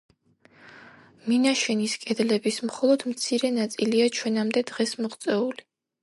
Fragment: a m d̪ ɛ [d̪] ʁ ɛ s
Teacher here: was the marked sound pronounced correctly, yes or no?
yes